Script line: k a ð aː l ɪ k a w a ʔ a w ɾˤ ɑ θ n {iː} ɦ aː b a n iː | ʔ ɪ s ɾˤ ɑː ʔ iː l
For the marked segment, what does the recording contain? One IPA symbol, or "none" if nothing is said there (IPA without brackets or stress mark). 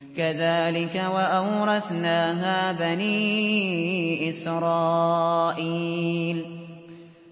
aː